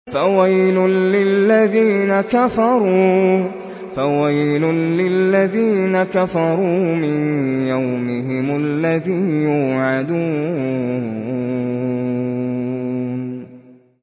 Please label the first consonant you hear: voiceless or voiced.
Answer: voiceless